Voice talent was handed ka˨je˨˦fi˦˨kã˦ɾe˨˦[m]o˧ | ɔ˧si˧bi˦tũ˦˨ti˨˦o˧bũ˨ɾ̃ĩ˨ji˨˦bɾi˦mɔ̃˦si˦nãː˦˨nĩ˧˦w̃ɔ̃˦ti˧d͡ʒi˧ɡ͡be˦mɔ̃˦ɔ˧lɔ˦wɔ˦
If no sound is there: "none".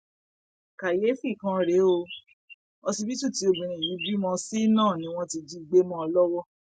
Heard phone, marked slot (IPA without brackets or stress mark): none